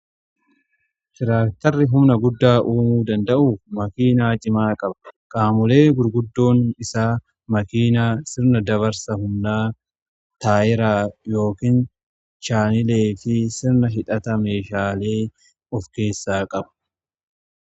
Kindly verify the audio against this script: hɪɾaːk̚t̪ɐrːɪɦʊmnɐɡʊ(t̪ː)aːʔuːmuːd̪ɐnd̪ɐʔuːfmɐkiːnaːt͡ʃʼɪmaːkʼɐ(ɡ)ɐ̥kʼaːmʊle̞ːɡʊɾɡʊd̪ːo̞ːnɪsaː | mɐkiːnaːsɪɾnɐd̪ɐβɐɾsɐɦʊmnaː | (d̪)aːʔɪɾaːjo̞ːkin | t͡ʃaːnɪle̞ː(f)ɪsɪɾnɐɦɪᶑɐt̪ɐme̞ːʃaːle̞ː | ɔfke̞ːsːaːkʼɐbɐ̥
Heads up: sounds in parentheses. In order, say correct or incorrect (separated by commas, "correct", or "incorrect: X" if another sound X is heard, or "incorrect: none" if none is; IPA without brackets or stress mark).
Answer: incorrect: d̪ː, incorrect: b, incorrect: t̪, correct